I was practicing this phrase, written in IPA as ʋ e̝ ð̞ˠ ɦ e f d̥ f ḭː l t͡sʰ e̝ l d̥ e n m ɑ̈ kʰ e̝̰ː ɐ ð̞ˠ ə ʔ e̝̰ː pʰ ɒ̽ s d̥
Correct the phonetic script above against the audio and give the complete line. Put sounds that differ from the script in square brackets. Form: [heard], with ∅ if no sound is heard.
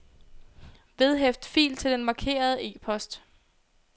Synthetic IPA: ʋ e̝ ð̞ˠ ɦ e f d̥ f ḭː l t͡sʰ e̝ l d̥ e n m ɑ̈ kʰ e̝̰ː ɐ ð̞ˠ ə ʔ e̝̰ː pʰ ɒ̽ s d̥